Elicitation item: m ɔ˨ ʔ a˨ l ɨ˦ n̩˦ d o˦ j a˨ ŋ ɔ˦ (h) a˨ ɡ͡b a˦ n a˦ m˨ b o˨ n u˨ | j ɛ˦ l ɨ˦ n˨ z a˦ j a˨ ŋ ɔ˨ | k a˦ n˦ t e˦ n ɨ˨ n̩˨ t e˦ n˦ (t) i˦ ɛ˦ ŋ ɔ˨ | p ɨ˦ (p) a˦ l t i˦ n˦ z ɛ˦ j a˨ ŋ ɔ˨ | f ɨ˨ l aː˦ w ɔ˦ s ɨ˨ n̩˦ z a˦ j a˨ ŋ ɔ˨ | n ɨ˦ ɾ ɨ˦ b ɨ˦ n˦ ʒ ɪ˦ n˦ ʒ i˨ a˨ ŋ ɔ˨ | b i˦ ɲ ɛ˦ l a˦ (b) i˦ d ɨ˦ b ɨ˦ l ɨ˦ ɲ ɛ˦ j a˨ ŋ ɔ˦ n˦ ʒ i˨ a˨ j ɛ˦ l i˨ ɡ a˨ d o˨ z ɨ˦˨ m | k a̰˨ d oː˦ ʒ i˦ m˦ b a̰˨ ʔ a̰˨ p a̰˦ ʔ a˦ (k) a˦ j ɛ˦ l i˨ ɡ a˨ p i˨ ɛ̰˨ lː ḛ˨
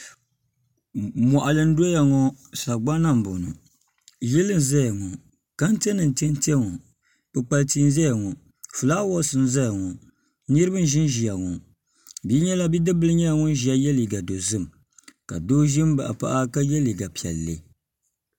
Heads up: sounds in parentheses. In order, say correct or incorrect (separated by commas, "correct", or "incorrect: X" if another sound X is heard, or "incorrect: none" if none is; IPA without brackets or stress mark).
incorrect: s, correct, incorrect: k͡p, correct, correct